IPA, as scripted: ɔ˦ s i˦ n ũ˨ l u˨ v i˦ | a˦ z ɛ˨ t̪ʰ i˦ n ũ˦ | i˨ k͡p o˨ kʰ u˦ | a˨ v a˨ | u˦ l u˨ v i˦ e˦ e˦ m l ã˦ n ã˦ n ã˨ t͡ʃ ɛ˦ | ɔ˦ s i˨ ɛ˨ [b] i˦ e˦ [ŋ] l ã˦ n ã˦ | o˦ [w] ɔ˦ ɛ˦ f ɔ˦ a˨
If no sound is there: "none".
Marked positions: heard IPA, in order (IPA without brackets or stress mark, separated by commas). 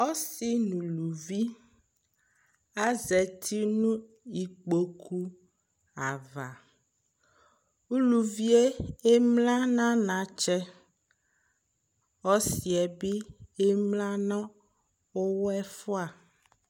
b, m, w